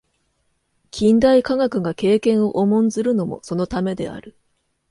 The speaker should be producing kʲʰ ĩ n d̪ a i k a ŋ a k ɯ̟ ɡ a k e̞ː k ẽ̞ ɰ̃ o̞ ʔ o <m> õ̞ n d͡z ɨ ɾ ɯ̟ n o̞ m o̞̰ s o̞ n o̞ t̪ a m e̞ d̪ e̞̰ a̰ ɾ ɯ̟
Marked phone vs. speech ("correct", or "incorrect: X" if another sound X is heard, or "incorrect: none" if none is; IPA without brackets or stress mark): correct